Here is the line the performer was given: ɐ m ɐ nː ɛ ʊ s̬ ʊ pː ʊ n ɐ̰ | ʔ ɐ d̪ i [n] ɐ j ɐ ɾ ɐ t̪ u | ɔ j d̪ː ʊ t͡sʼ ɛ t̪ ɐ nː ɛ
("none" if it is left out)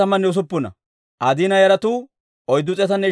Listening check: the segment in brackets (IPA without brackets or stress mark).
n